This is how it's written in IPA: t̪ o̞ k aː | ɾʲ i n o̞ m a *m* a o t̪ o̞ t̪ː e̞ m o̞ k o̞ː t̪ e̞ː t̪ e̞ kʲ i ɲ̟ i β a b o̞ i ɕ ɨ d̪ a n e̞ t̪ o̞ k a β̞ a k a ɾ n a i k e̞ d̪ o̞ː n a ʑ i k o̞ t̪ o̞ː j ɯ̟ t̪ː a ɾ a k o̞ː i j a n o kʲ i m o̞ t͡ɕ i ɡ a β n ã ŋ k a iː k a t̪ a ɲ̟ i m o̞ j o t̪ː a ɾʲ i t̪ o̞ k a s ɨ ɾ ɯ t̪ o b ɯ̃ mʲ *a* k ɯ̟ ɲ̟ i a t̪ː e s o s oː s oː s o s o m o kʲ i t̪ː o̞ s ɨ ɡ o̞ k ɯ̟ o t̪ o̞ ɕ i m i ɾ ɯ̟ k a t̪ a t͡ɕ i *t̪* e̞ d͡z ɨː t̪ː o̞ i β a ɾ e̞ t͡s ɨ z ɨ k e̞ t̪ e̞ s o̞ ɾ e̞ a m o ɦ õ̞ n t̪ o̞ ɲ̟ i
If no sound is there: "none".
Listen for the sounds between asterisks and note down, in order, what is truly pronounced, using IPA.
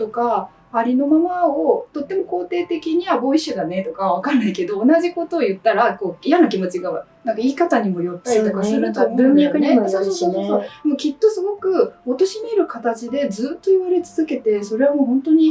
m, a, d̪

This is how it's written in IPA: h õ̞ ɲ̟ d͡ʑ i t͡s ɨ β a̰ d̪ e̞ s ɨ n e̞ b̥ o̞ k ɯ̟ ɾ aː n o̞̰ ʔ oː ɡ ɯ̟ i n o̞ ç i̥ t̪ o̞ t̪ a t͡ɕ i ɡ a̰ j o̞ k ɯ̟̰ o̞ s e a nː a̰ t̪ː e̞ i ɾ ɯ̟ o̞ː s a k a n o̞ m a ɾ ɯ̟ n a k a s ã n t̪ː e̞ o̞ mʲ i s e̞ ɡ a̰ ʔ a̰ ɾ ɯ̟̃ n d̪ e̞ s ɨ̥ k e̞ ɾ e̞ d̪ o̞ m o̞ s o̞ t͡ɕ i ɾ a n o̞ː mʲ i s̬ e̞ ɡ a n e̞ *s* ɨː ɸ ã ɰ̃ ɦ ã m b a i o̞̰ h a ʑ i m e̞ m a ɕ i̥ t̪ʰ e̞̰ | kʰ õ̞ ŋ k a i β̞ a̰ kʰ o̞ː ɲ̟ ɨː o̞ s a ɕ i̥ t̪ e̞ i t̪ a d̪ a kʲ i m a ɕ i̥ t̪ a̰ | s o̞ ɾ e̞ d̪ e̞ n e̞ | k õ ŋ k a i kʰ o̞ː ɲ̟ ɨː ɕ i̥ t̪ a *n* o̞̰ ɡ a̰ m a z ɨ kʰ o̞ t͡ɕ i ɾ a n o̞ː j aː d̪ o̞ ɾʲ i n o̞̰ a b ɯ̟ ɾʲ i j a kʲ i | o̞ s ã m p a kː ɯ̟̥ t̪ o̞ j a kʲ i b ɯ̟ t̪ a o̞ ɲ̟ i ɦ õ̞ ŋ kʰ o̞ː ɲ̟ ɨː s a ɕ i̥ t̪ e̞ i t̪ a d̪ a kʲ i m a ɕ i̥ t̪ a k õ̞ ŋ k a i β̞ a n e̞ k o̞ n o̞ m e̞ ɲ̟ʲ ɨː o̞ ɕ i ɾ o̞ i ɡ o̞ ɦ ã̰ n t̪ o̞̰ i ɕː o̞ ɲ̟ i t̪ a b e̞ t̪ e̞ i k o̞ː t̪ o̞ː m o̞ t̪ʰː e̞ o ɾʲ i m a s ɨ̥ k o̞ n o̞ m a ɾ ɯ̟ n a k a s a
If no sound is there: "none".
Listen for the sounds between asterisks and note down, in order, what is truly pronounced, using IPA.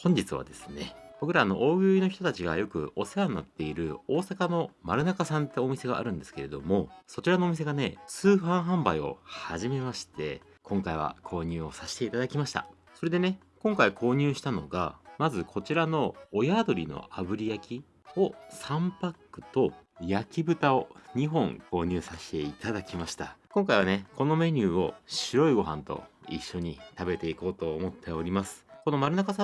t͡s, n

